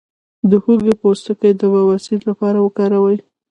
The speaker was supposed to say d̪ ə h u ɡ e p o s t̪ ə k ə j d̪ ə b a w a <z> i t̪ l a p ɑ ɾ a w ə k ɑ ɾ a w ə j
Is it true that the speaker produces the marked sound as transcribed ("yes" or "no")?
no